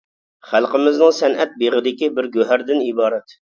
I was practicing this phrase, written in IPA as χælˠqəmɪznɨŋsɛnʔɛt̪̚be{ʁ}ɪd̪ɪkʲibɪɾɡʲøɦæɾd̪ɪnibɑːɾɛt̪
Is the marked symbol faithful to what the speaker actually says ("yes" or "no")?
yes